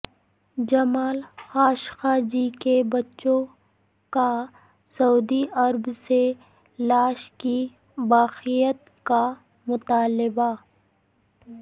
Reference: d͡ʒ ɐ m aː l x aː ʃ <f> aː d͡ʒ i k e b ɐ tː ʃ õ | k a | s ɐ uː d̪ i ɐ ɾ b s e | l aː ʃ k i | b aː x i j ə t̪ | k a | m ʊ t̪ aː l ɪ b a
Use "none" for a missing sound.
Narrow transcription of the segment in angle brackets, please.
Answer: x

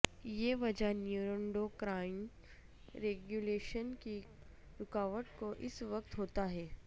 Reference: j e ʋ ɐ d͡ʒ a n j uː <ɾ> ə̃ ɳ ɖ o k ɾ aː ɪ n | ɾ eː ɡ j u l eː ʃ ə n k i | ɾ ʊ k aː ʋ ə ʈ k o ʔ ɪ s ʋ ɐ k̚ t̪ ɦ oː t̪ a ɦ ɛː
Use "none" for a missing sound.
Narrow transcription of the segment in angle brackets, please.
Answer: ɾ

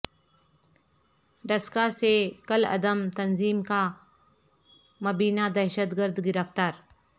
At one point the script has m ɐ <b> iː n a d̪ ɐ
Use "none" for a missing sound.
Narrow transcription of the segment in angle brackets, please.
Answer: b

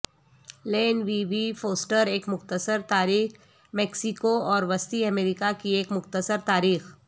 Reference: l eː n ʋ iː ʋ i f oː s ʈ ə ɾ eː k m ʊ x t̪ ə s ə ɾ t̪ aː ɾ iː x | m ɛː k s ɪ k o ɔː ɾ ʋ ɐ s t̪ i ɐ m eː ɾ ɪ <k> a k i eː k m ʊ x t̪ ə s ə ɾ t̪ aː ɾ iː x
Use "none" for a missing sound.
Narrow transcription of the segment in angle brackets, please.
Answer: k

